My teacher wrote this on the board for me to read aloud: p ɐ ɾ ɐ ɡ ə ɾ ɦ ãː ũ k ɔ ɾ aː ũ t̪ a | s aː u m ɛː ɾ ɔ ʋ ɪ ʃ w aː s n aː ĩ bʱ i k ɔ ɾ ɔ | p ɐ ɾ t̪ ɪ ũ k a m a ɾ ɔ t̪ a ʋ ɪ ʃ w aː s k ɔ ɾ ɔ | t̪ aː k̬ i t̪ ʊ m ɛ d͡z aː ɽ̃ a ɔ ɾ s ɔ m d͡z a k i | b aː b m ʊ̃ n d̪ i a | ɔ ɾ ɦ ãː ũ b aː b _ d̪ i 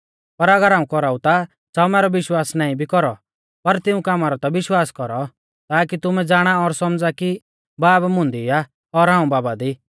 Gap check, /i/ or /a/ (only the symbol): a